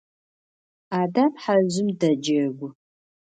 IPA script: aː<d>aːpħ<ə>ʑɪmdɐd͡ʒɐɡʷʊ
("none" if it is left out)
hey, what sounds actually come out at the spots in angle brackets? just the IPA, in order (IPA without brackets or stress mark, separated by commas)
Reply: d, a